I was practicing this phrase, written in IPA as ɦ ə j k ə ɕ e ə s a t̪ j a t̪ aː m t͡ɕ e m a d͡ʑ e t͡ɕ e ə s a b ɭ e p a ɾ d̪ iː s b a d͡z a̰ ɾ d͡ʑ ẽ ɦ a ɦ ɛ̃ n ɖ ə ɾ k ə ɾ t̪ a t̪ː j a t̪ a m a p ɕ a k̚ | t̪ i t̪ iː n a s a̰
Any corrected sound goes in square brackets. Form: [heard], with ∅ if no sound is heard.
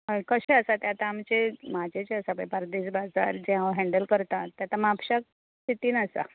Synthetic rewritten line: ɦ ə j k ə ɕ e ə s a t̪ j a t̪ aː m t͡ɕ e m a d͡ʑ e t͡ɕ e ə s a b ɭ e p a ɾ d̪ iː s b a d͡z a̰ ɾ d͡ʑ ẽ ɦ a ɦ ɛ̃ [ɳ] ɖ ə [l] k ə ɾ t̪ a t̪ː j a t̪ a m a p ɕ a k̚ | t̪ i t̪ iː n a s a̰